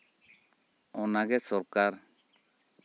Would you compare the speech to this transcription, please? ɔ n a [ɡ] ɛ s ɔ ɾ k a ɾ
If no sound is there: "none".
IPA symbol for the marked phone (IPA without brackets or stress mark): ɡ